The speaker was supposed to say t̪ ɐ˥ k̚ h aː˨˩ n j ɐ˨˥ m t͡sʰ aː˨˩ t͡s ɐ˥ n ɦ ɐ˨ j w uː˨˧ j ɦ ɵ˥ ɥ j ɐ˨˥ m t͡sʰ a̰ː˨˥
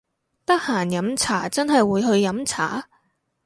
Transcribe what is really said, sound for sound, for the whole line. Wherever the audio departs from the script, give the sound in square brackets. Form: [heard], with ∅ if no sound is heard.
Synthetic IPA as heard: t̪ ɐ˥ k̚ h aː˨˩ n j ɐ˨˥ m t͡sʰ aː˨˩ t͡s ɐ˥ n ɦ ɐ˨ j w uː˨˧ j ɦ [ɵ˧] ɥ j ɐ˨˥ m t͡sʰ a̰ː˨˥